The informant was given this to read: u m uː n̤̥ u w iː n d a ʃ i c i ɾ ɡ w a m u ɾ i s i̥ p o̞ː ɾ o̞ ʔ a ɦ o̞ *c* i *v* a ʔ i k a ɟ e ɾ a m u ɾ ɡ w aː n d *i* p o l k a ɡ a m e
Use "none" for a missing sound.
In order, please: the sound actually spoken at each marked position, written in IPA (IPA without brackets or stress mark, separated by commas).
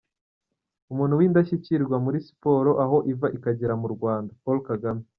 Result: ʔ, v, a